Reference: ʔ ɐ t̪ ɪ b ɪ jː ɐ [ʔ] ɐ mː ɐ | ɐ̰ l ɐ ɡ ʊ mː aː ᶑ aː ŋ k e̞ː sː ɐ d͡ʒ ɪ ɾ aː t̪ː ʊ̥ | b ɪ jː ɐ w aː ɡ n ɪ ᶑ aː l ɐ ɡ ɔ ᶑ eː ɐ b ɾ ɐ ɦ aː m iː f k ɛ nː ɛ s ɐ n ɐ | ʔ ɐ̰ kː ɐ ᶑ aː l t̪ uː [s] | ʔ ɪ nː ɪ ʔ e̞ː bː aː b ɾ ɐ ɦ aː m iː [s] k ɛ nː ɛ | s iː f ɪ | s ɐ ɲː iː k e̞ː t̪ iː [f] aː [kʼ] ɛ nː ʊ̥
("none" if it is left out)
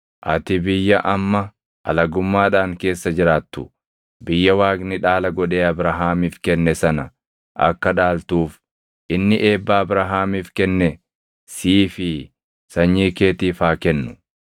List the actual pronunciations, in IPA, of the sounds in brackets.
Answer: ʔ, f, f, f, k

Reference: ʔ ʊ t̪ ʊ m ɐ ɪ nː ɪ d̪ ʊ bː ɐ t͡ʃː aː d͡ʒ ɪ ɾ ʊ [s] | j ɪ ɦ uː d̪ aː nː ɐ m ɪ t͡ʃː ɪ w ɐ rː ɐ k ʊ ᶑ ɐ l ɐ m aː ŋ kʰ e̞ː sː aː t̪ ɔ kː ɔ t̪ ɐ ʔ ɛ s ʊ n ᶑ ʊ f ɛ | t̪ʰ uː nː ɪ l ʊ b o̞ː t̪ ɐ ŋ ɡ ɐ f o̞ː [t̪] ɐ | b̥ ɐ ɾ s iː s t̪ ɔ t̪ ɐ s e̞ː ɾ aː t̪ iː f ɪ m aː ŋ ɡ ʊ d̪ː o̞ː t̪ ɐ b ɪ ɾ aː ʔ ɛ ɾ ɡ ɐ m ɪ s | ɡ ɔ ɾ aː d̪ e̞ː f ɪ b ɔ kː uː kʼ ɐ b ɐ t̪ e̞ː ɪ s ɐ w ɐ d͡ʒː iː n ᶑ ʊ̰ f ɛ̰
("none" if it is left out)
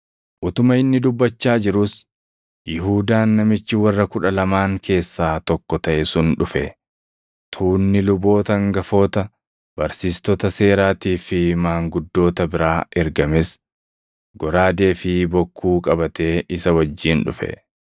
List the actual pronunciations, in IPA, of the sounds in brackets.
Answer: s, t̪

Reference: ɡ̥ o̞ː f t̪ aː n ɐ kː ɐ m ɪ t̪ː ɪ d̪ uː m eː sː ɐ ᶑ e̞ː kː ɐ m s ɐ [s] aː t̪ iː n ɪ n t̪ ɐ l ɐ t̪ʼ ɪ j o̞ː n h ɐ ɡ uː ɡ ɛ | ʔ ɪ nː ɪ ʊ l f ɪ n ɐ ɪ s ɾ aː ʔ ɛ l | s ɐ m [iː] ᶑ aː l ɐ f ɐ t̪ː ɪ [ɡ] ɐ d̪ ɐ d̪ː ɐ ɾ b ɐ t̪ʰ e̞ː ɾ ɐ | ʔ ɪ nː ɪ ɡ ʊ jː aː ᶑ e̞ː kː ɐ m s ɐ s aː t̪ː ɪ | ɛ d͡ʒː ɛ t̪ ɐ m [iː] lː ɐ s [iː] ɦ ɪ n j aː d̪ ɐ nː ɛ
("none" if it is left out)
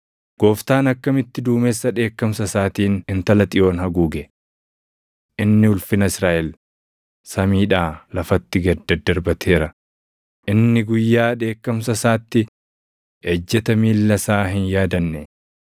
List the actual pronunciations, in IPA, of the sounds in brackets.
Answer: s, iː, ɡ, iː, aː

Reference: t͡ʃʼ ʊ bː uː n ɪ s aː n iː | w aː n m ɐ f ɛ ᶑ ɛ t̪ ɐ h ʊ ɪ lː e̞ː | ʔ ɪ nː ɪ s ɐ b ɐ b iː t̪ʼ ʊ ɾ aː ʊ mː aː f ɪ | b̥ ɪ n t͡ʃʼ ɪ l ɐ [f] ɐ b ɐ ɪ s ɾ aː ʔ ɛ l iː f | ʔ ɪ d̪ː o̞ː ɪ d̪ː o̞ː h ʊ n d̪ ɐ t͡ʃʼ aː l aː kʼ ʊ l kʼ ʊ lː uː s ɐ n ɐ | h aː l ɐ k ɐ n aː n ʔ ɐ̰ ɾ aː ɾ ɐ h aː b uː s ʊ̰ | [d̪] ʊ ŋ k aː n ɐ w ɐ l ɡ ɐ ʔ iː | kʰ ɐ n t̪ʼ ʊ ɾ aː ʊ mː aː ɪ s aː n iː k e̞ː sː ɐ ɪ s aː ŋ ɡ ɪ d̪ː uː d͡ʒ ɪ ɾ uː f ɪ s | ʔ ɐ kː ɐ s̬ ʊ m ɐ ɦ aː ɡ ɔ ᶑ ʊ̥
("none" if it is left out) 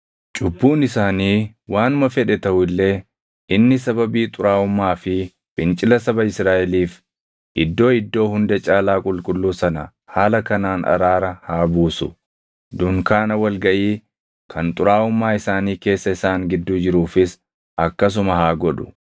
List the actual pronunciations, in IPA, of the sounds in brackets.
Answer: s, d̪

